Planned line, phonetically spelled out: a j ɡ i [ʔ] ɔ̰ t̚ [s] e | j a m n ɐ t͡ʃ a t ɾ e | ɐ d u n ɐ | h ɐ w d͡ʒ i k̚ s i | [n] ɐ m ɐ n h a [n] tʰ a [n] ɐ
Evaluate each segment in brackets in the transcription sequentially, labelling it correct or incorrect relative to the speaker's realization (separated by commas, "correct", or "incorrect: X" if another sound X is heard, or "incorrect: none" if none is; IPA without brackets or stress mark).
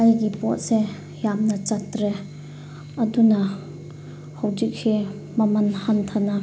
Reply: incorrect: p, correct, incorrect: m, correct, correct